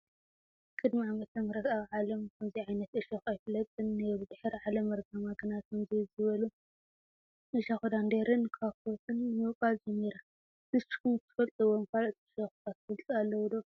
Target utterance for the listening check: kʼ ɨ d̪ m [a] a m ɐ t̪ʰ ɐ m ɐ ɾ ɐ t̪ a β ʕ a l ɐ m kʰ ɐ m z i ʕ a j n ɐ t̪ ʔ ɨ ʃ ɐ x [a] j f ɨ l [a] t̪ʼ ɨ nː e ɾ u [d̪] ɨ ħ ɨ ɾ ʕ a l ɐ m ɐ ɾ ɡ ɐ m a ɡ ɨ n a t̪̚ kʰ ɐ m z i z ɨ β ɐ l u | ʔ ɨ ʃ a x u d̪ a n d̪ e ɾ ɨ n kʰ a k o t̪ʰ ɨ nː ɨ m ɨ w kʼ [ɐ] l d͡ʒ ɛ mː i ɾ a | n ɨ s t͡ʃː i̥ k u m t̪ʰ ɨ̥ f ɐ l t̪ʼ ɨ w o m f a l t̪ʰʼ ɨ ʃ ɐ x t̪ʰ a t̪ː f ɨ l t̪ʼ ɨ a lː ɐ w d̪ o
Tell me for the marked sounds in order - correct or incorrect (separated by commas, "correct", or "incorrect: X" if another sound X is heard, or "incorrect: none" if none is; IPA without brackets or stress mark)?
incorrect: i, correct, incorrect: ɐ, correct, incorrect: a